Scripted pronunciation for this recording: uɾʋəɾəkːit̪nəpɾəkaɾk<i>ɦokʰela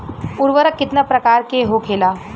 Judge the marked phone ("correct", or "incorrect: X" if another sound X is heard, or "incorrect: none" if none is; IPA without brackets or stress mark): incorrect: e